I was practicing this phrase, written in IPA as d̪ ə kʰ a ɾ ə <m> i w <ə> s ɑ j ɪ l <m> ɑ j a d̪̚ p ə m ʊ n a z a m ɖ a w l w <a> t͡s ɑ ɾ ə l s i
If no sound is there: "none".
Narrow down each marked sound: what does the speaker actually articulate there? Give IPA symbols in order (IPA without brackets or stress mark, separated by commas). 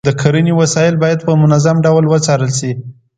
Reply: n, a, b, ə